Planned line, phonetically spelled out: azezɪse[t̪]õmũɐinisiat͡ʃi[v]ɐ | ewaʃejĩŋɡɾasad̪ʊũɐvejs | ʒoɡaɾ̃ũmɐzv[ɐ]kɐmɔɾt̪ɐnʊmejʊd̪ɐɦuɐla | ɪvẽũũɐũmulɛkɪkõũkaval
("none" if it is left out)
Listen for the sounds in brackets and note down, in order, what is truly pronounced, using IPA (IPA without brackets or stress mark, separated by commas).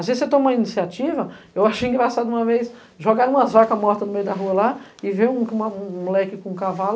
t̪, v, a